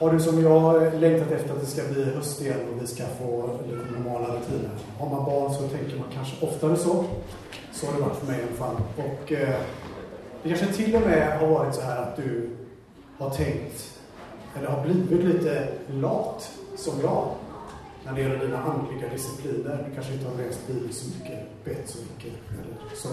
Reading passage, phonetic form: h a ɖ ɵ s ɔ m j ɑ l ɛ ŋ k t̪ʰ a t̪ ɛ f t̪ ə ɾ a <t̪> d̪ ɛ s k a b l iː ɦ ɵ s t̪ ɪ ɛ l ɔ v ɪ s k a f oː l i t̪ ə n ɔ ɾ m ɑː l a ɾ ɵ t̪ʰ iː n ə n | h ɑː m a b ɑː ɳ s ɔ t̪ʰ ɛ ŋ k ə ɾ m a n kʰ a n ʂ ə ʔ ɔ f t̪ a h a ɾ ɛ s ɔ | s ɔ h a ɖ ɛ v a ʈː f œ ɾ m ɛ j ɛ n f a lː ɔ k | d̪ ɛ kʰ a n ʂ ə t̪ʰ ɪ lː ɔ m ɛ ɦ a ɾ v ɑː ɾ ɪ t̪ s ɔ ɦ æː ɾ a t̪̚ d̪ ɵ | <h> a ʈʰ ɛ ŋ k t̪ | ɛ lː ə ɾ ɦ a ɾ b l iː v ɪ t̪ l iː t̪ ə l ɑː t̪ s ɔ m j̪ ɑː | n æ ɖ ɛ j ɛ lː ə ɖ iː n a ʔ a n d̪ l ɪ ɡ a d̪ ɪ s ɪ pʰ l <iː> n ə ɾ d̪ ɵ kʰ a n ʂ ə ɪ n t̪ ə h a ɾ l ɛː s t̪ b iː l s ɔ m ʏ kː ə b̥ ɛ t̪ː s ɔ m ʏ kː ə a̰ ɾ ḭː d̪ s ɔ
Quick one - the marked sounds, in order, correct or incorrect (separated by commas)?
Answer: correct, correct, correct